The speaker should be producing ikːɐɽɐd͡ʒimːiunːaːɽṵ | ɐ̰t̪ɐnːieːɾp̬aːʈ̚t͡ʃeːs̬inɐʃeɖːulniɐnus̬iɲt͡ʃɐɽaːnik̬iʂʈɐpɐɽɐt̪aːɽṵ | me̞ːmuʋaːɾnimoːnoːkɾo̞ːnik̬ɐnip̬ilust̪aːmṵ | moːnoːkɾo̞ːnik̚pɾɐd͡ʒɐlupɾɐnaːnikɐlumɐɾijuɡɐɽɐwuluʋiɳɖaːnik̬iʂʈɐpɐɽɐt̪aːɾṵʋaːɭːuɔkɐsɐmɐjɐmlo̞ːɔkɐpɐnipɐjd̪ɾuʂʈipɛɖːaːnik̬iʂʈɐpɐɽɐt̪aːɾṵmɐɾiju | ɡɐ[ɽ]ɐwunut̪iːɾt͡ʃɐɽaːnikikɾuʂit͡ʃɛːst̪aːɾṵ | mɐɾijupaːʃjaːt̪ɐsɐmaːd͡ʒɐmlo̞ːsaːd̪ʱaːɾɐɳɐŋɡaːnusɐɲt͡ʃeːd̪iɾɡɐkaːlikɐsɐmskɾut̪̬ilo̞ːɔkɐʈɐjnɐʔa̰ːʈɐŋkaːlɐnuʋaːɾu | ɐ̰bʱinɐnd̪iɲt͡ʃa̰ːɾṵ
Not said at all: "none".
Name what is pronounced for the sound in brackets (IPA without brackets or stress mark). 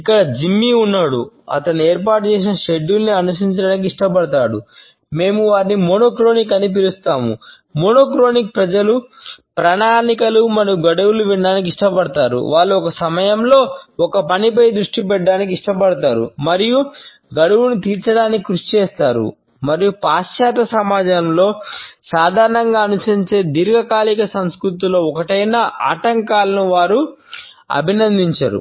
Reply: ɽ